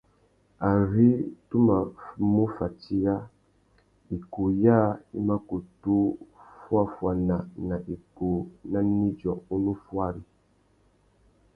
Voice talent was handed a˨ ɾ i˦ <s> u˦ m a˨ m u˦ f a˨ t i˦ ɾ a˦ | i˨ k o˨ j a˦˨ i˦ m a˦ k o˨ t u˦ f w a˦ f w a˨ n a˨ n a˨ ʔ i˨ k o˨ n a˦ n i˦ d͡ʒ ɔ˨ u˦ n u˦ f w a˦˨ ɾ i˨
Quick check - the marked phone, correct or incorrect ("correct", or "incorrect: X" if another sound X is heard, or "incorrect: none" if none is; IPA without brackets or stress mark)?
incorrect: t